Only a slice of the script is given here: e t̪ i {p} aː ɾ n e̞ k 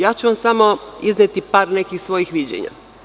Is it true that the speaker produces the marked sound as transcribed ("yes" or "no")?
yes